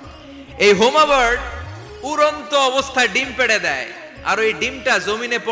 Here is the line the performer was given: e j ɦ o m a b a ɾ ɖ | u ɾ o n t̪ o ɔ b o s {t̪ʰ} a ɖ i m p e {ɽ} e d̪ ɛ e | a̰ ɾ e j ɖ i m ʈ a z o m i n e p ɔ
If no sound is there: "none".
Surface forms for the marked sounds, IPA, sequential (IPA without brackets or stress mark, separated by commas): t̪ʰ, ɽ